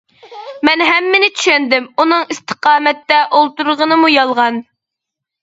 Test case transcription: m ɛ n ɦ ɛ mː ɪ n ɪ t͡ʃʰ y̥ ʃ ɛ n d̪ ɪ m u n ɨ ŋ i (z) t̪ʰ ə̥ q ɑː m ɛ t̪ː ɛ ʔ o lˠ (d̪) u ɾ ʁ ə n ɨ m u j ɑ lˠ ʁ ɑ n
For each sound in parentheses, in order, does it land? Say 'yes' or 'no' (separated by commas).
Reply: no, no